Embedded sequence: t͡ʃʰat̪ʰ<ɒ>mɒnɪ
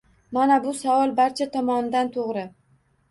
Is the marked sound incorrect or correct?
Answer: correct